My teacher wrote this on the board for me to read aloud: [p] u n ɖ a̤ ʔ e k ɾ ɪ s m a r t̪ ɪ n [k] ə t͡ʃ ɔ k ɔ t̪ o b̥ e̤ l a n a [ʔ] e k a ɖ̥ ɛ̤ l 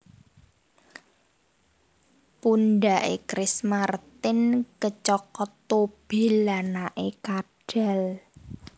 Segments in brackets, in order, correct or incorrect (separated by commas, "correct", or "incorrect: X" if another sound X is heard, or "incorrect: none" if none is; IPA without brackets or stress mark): correct, correct, correct